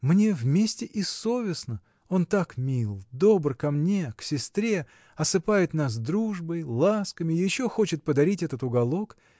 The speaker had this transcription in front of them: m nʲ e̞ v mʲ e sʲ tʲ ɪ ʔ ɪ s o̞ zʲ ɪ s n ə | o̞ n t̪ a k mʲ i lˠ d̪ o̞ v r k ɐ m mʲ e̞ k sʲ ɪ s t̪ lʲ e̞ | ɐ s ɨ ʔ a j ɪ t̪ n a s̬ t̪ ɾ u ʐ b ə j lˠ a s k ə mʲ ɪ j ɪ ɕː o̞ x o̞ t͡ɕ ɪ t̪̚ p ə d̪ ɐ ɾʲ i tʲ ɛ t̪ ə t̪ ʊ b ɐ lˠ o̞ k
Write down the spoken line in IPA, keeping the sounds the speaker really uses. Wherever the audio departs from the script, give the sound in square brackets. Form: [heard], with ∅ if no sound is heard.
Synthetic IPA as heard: m nʲ e̞ v mʲ e sʲ tʲ ɪ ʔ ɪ s o̞ [vʲ] ɪ s n ə | o̞ n t̪ a k mʲ i lˠ d̪ o̞ [b] r k ɐ m [nʲ] e̞ k sʲ ɪ s t̪ [ɾʲ] e̞ | ɐ s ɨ [p] a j ɪ t̪ n a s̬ [d̪] ɾ u ʐ b ə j lˠ a s k ə mʲ ɪ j ɪ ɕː o̞ x o̞ t͡ɕ ɪ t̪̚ p ə d̪ ɐ ɾʲ i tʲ ɛ t̪ ə t̪ ʊ [ɡ] ɐ lˠ o̞ k